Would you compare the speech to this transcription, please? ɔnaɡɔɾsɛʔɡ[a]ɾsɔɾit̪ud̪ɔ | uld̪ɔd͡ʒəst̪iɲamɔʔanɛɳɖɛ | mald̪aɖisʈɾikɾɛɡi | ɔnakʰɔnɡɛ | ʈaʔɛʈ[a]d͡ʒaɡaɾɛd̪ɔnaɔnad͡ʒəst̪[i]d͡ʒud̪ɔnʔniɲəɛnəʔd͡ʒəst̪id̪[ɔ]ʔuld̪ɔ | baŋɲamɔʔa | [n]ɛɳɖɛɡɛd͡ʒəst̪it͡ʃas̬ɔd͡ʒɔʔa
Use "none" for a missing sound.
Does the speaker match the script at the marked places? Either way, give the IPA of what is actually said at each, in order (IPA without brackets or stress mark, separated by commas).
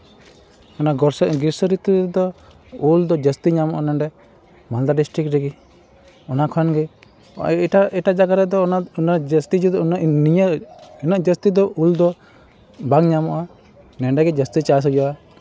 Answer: i, a, i, ɔ, n